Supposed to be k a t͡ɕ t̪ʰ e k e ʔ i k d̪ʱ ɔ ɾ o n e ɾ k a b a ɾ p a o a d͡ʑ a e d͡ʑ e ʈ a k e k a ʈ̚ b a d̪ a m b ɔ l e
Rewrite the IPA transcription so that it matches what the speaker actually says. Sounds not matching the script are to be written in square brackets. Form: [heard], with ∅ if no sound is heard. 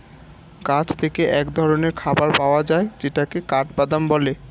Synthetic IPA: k a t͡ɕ t̪ʰ e k e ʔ [ɛ] k d̪ʱ ɔ ɾ o n e ɾ [kʰ] a b a ɾ p a o a d͡ʑ a e d͡ʑ e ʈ a k e k a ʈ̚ b a d̪ a m b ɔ l e